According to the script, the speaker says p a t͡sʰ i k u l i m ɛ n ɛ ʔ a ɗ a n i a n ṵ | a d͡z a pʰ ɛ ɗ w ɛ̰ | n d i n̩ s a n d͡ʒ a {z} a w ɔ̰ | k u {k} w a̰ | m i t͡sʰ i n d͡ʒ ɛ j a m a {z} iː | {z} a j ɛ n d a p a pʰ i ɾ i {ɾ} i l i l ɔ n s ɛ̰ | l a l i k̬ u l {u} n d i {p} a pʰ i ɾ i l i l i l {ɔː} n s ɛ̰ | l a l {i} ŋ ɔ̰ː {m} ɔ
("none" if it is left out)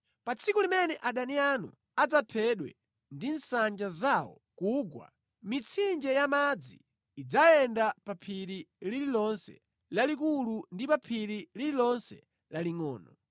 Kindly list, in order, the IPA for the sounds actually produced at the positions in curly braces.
z, ɡ, d͡z, d͡z, l, u, p, ɔ, i, n

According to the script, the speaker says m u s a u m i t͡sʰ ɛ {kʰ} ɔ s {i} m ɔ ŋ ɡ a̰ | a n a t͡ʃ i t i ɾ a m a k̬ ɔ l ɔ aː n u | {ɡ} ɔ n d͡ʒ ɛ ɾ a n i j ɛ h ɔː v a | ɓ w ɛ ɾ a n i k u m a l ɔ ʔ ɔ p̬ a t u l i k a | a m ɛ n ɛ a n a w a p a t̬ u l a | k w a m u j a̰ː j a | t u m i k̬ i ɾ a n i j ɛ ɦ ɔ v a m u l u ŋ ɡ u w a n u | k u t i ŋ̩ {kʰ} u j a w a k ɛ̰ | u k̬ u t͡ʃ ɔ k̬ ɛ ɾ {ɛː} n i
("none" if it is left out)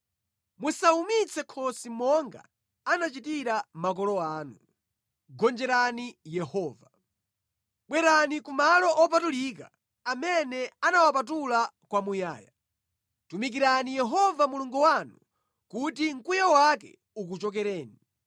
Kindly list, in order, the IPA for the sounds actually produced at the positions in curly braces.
kʰ, i, ɡ, k, ɛː

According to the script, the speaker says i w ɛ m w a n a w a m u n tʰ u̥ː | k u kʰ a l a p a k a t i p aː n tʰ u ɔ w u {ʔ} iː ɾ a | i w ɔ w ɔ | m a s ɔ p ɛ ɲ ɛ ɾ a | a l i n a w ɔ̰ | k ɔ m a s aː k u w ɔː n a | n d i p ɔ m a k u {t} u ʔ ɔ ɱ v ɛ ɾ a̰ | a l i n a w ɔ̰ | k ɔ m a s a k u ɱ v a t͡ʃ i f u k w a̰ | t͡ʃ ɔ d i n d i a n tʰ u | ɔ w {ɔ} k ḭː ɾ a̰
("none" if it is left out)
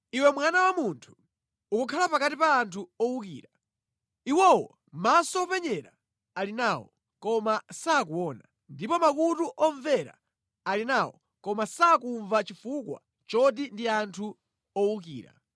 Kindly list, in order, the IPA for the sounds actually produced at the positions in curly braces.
k, t, u

